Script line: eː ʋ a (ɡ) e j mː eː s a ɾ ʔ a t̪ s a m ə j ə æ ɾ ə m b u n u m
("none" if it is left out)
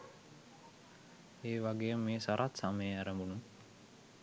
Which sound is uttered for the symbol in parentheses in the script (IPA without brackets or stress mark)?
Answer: ɡ